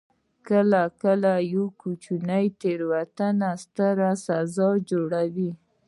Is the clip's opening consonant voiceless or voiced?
voiceless